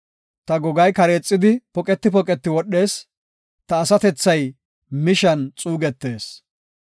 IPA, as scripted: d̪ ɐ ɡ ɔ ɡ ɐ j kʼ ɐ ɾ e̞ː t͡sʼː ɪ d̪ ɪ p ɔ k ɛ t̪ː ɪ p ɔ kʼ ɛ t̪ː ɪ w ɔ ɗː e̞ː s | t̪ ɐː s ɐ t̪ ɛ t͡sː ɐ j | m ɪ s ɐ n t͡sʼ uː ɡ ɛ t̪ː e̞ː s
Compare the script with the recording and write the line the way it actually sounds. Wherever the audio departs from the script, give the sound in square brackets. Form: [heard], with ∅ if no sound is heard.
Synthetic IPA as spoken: [t̪] ɐ ɡ ɔ ɡ ɐ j [k] ɐ ɾ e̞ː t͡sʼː ɪ d̪ ɪ p ɔ [kʼ] ɛ t̪ː ɪ p ɔ kʼ ɛ t̪ː ɪ w ɔ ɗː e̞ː s | t̪ ɐː s ɐ t̪ ɛ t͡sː ɐ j | m ɪ [ʃ] ɐ n t͡sʼ uː ɡ ɛ t̪ː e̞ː s